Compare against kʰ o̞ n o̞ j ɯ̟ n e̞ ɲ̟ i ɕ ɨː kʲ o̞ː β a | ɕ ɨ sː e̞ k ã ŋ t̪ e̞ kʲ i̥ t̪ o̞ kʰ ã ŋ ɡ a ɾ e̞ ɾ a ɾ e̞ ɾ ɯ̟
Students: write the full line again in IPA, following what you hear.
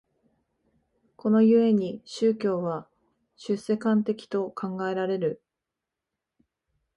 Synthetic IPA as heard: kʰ o̞ n o̞ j ɯ̟ e̞ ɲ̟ i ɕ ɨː kʲ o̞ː β a | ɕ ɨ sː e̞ k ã n t̪ e̞ kʲ i̥ t̪ o̞ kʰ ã ŋ ɡ a e̞ ɾ a ɾ e̞ ɾ ɯ̟